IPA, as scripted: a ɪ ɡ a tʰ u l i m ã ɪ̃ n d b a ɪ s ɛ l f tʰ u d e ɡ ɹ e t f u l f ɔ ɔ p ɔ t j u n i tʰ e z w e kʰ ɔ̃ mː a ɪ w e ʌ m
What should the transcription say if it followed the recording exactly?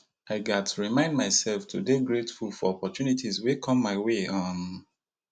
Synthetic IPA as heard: a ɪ ɡ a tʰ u ɹ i m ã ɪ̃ n d m a ɪ s ɛ l f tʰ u d e ɡ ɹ e t f u l f ɔ ɔ p ɔ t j u n i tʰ i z w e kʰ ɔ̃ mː a ɪ w e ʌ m